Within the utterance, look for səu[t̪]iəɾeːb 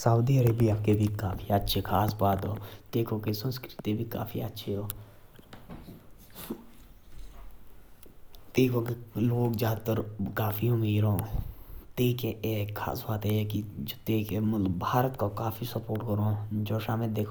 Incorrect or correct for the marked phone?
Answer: incorrect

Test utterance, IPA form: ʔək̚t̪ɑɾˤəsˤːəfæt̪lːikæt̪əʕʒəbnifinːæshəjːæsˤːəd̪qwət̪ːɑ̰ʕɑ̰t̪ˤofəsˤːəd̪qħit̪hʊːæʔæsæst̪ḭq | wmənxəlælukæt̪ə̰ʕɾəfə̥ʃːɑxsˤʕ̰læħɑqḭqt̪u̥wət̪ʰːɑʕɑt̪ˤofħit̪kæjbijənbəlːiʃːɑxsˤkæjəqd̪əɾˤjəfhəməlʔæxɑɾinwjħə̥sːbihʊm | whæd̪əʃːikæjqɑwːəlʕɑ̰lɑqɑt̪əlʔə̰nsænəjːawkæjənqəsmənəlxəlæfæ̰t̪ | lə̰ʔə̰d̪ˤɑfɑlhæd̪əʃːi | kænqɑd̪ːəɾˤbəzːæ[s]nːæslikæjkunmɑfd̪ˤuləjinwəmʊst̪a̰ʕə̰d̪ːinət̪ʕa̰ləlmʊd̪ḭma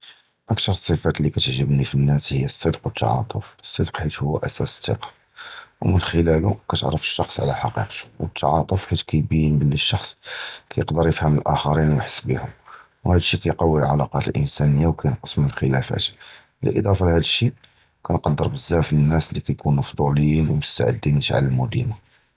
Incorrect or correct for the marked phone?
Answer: incorrect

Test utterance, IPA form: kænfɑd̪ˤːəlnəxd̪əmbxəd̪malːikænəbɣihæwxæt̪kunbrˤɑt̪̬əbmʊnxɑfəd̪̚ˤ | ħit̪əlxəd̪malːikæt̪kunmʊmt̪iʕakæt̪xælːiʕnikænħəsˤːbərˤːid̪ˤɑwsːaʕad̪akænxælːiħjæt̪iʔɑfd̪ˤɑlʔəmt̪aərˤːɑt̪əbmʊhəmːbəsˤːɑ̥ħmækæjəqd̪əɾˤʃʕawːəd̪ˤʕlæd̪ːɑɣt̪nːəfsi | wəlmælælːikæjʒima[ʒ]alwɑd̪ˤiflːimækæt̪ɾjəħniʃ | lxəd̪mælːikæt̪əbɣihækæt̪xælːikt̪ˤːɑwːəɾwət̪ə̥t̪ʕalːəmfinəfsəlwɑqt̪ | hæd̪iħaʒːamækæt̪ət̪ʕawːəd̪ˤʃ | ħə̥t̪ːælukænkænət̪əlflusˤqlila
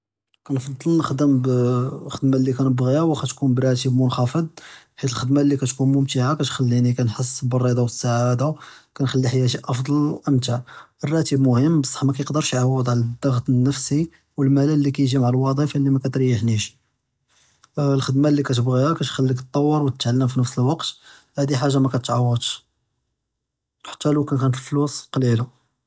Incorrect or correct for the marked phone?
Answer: incorrect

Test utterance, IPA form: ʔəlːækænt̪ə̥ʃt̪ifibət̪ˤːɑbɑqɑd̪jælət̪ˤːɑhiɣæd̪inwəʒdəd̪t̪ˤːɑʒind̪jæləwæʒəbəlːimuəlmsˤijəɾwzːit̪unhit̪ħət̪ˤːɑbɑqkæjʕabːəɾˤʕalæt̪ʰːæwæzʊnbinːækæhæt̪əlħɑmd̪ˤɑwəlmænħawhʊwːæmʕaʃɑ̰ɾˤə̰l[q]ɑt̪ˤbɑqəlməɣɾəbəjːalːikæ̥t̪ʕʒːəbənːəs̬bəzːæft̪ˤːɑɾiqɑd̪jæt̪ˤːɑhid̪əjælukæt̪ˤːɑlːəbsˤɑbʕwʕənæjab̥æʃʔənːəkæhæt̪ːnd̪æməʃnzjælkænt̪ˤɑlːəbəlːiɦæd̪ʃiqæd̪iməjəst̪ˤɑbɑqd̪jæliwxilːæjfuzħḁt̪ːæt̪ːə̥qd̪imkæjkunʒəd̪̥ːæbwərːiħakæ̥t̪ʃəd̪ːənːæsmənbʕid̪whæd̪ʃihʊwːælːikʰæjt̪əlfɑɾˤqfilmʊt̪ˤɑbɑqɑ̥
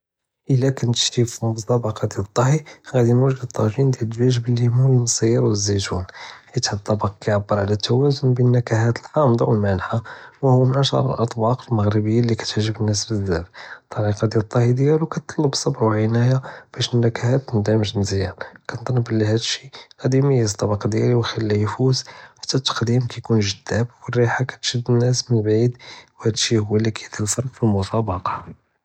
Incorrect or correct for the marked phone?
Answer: incorrect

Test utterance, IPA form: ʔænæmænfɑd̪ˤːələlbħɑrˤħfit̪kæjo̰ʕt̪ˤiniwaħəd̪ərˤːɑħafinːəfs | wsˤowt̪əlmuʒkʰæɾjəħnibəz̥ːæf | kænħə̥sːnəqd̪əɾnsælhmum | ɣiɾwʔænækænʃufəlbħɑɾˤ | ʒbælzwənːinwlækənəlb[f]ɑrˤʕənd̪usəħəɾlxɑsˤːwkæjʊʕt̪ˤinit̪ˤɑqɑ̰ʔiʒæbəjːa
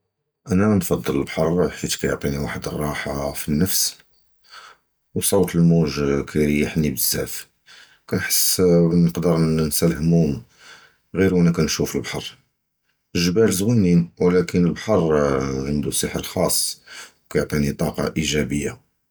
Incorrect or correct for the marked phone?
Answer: incorrect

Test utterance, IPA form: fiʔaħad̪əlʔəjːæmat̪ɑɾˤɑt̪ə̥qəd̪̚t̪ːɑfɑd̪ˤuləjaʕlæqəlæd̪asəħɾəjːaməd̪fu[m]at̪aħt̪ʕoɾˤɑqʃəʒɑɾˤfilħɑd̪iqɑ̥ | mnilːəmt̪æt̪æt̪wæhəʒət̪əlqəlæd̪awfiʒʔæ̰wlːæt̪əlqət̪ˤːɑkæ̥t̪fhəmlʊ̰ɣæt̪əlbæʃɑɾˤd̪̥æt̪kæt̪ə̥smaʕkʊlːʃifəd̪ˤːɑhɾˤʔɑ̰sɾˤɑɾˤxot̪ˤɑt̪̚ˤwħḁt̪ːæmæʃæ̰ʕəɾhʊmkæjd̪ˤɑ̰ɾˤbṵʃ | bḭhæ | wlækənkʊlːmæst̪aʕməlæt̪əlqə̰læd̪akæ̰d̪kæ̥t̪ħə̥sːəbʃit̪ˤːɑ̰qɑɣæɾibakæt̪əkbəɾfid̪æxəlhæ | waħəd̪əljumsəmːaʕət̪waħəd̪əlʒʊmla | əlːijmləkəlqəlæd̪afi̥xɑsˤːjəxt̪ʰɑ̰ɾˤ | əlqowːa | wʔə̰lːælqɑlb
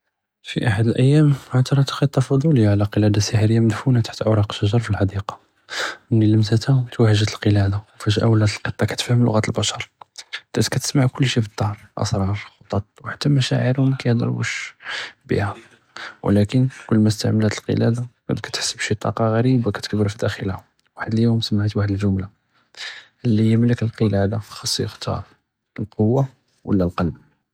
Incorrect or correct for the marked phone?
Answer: incorrect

